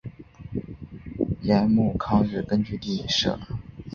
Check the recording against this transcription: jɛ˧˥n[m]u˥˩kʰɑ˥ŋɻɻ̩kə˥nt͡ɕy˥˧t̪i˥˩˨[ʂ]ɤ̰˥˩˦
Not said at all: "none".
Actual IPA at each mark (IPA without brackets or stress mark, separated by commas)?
m, ʂ